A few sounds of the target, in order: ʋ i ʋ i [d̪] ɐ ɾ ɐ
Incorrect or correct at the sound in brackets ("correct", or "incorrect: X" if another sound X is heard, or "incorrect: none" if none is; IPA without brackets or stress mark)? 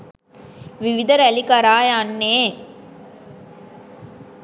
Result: correct